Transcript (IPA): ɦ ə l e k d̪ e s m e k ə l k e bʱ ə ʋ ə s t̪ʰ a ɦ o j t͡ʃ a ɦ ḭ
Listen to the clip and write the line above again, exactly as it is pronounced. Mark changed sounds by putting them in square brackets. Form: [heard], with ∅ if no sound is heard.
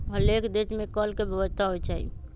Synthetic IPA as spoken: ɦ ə l e k d̪ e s m e k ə l k e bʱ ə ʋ ə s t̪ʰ a ɦ o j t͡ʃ a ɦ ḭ